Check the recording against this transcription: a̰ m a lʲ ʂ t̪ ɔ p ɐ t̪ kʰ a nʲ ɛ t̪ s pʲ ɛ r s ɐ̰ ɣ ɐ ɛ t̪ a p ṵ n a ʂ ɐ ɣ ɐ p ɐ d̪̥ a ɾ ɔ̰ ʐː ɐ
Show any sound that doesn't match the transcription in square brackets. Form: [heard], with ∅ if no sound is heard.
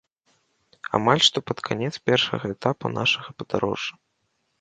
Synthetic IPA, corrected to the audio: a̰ m a lʲ ʂ t̪ ɔ p ɐ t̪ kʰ a nʲ ɛ t̪ s pʲ ɛ r [ʂ] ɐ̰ ɣ ɐ ɛ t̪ a p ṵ n a ʂ ɐ ɣ ɐ p ɐ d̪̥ a ɾ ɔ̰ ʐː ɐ